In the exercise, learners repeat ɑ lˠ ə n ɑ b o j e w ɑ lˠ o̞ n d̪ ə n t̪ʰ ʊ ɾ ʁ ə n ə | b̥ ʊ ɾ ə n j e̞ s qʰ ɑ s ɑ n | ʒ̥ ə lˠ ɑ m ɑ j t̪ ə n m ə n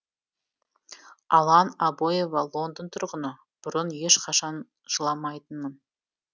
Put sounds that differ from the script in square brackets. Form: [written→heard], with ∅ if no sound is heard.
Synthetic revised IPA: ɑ lˠ [ə→ɑ] n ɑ b o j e [w→v] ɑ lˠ o̞ n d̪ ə n t̪ʰ ʊ ɾ ʁ ə n ə | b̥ ʊ ɾ ə n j e̞ [s→ʃ] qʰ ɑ [s→ʃ] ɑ n | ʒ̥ ə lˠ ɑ m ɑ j t̪ ə n m ə n